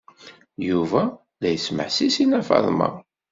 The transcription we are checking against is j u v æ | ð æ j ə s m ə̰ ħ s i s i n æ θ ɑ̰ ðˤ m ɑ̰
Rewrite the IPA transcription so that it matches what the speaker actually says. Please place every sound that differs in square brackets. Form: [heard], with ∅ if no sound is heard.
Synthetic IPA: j u v æ | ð æ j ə s m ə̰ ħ s i s i n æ [f] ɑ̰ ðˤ m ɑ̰